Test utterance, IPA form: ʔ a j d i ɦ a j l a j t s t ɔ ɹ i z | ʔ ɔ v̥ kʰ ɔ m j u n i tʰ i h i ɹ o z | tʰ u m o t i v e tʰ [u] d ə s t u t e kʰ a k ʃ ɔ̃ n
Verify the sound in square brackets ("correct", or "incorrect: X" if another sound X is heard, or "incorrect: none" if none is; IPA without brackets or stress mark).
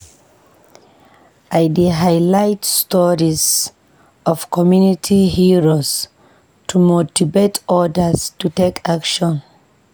incorrect: ɔ